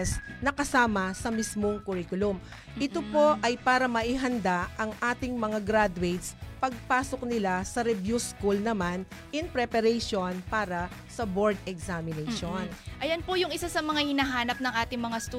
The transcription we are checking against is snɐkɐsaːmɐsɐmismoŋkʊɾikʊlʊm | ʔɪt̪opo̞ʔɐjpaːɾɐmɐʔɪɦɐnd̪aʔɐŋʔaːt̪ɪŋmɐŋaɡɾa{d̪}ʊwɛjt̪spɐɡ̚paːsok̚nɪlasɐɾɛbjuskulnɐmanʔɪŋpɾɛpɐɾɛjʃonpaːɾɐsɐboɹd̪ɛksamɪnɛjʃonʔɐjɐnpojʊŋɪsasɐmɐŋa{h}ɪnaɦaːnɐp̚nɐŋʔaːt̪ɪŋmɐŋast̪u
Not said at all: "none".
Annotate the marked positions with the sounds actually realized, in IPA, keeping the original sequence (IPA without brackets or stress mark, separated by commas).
d̪, h